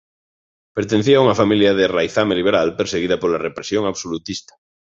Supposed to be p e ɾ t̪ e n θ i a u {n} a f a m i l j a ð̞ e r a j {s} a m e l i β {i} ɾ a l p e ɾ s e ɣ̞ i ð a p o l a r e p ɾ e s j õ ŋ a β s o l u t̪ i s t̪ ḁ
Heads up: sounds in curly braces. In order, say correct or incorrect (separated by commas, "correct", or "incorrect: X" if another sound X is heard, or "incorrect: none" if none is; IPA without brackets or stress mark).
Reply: incorrect: ŋ, incorrect: θ, incorrect: e